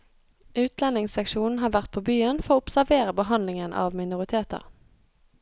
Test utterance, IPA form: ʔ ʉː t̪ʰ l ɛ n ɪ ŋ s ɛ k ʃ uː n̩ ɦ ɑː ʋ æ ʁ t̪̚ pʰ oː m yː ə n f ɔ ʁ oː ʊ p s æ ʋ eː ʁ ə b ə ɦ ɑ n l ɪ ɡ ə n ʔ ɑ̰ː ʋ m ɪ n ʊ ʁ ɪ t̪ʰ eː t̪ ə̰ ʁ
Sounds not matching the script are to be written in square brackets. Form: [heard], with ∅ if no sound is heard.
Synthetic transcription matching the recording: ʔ ʉː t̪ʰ l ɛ n ɪ ŋ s ɛ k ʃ uː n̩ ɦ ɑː ʋ æ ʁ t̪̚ pʰ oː [b] yː ə n f ɔ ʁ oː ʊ p s æ ʋ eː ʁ ə b ə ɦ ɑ n l ɪ [ŋ] ə n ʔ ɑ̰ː ʋ m ɪ n ʊ ʁ ɪ t̪ʰ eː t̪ ə̰ ʁ